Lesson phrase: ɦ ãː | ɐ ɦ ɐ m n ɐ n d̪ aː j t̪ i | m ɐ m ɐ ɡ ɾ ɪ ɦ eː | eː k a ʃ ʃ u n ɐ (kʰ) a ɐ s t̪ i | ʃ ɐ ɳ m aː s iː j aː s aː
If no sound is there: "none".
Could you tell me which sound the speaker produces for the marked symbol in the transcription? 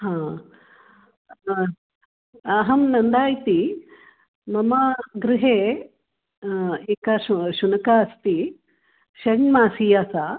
k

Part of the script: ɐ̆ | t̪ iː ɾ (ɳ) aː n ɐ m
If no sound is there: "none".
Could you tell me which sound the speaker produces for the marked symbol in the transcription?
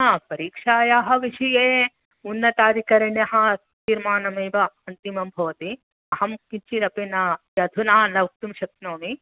m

